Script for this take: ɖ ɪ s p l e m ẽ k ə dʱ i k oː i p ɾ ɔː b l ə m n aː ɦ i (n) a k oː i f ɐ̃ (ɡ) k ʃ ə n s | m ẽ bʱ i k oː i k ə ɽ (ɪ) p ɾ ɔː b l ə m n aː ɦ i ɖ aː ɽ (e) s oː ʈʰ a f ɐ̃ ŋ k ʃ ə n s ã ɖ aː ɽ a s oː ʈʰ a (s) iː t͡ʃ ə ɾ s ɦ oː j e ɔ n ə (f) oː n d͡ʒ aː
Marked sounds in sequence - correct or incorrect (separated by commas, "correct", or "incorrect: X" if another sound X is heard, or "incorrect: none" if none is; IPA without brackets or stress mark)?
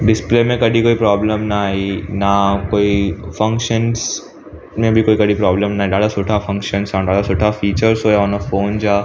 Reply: correct, incorrect: ŋ, incorrect: i, incorrect: a, incorrect: f, correct